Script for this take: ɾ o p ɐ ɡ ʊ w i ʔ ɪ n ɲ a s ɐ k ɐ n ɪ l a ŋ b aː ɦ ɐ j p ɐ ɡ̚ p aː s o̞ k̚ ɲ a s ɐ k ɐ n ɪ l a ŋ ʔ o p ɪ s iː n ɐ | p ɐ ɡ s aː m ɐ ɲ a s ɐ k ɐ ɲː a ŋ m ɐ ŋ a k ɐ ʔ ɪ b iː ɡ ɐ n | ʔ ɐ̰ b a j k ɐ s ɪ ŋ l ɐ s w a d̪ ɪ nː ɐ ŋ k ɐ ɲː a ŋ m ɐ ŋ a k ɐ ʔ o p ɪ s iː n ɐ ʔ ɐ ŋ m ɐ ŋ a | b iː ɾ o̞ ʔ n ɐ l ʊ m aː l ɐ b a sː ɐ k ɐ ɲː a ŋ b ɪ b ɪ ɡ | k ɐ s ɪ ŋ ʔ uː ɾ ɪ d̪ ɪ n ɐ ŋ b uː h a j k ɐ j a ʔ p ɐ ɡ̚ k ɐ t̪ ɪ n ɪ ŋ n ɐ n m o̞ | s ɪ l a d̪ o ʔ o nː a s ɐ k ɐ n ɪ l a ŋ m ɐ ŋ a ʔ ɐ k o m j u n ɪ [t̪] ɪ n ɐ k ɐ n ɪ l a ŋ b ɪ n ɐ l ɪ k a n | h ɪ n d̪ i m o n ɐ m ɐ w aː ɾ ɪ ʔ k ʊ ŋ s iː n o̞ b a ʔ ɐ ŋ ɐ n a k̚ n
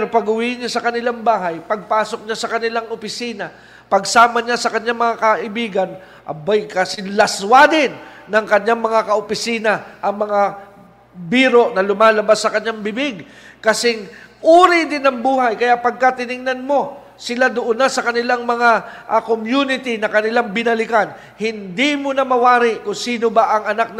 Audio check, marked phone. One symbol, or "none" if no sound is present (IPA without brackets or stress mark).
t̪